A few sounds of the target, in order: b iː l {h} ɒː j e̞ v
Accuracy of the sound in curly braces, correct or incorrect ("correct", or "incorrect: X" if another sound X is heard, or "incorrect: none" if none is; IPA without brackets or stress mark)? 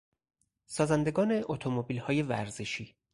correct